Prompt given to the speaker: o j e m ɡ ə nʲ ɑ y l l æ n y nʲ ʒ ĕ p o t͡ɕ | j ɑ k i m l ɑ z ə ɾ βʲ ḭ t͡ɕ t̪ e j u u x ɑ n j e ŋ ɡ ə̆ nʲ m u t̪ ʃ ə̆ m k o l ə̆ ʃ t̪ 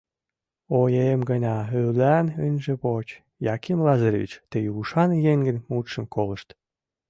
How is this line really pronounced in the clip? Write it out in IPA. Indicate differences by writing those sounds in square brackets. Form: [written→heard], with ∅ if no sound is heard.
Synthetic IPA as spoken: o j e m ɡ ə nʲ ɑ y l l æ n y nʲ ʒ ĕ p o t͡ɕ | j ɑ k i m l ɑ z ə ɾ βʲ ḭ t͡ɕ t̪ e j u u [x→ʃ] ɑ n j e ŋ ɡ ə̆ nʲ m u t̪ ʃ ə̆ m k o l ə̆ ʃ t̪